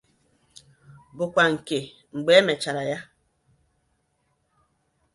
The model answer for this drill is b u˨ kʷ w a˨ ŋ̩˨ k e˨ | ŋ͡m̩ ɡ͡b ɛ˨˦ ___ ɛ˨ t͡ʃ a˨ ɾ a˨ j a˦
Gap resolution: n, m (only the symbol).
m